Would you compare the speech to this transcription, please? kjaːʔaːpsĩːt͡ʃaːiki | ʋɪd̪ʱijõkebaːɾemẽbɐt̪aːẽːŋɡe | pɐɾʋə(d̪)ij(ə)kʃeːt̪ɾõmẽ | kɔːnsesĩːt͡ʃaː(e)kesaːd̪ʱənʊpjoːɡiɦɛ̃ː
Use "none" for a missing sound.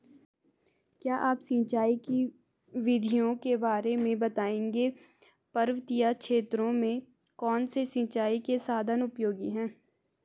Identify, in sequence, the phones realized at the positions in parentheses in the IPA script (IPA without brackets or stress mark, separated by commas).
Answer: t̪, a, i